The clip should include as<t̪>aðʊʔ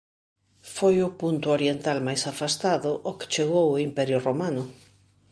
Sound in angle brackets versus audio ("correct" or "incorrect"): correct